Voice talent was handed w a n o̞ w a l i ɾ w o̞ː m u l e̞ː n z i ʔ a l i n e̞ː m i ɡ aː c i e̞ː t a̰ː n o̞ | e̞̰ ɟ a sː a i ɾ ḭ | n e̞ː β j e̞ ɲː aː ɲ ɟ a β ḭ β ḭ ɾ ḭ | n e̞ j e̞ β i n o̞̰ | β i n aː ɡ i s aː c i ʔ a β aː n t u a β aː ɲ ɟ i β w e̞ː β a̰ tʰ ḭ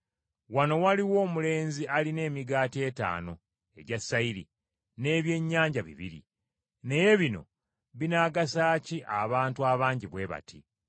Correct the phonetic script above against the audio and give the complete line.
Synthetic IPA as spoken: w a n o̞ w a l i w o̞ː m u l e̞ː n z i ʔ a l i n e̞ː m i ɡ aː t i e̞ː t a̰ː n o̞ | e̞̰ ɟ a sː a i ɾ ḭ | n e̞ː β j e̞ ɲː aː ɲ ɟ a β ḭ β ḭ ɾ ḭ | n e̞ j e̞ β i n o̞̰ | β i n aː ɡ a s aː c i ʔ a β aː n t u a β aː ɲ ɟ i β w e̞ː β a̰ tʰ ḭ

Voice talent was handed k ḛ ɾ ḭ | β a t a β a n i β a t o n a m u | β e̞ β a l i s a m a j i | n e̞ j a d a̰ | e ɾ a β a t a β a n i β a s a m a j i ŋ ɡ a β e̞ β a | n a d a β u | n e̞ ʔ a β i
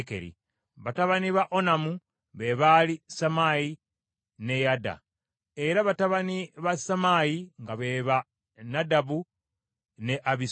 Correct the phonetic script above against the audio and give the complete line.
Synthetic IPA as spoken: k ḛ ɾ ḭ | β a t a β a n i β a ʔ o n a m u | β e̞ β a l i s a m a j i | n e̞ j a d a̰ | e ɾ a β a t a β a n i β a s a m a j i ŋ ɡ a β e̞ β a | n a d a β u | n e̞ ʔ a β i

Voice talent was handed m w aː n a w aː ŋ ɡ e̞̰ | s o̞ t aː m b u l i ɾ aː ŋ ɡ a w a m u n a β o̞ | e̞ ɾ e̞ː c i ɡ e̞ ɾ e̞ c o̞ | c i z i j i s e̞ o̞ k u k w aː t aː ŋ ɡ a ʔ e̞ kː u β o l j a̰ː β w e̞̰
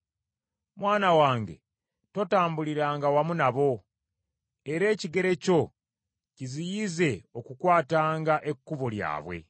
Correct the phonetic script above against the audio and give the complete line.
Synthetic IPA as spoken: m w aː n a w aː ŋ ɡ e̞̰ | t o̞ t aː m b u l i ɾ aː ŋ ɡ a w a m u n a β o̞ | e̞ ɾ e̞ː c i ɡ e̞ ɾ e̞ c o̞ | c i z i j i z e̞ o̞ k u k w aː t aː ŋ ɡ a ʔ e̞ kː u β o l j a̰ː β w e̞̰

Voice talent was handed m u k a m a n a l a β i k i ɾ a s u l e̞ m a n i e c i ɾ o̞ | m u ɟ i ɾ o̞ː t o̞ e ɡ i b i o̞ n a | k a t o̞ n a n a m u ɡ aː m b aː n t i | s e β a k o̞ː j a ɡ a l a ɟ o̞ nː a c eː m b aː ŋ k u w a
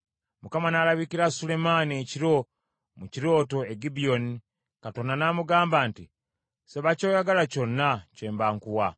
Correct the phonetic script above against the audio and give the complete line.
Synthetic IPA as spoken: m u k a m a n a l a β i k i ɾ a s u l e̞ m a n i e c i ɾ o̞ | m u c i ɾ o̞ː t o̞ e ɡ i b i o̞ n i | k a t o̞ n a n a m u ɡ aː m b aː n t i | s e β a c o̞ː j a ɡ a l a c o̞ nː a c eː m b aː ŋ k u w a

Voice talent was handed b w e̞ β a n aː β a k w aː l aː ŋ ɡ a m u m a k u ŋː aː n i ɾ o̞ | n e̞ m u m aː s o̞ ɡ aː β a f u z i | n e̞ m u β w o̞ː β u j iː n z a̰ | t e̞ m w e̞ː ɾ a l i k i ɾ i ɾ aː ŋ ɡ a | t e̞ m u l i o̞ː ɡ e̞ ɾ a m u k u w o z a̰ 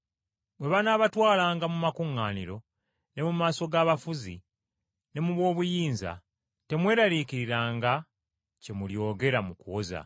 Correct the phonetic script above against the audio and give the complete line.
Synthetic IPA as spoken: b w e̞ β a n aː β a t w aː l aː ŋ ɡ a m u m a k u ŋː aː n i ɾ o̞ | n e̞ m u m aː s o̞ ɡ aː β a f u z i | n e̞ m u β w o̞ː β u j iː n z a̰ | t e̞ m w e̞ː ɾ a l i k i ɾ i ɾ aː ŋ ɡ a | c e̞ m u l j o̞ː ɡ e̞ ɾ a m u k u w o z a̰

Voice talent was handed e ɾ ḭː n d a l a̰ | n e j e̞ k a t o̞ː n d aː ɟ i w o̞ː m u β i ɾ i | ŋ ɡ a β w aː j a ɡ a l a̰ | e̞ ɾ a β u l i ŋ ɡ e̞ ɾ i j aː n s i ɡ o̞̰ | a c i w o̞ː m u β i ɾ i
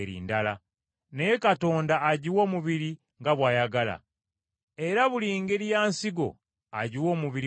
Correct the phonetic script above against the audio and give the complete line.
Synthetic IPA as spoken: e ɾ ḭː n d a l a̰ | n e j e̞ k a t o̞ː n d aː ɟ i w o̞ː m u β i ɾ i | ŋ ɡ a β w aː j a ɡ a l a̰ | e̞ ɾ a β u l i ŋ ɡ e̞ ɾ i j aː n s i ɡ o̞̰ | a ɟ i w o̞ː m u β i ɾ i

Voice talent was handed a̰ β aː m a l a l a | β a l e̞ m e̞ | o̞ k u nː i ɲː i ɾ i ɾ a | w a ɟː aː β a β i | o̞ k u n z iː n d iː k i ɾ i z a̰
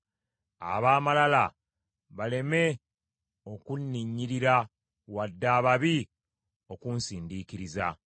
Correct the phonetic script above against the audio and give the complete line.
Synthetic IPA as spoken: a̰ β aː m a l a l a | β a l e̞ m e̞ | o̞ k u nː i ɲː i ɾ i ɾ a | w a dː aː β a β i | o̞ k u n s iː n d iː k i ɾ i z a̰

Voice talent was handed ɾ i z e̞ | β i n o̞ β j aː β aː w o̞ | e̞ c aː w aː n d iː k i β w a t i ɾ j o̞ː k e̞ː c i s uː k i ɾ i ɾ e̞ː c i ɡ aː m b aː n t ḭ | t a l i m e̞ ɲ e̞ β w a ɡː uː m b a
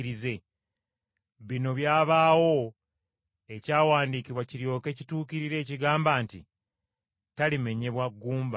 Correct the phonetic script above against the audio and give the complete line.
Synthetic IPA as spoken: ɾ i z e̞ | β i n o̞ β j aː β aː w o̞ | e̞ c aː w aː n d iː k i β w a c i ɾ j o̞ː k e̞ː c i t uː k i ɾ i ɾ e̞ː c i ɡ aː m b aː n t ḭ | t a l i m e̞ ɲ e̞ β w a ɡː uː m b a

